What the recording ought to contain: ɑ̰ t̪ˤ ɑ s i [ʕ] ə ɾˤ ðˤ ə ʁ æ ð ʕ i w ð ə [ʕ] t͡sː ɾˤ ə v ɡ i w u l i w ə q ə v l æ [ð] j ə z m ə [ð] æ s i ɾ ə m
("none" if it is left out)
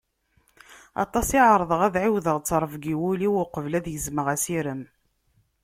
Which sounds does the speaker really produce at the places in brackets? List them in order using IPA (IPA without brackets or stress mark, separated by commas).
ʕ, ʁ, ð, ʁ